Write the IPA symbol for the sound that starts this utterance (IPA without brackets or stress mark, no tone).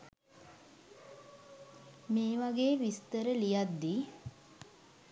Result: m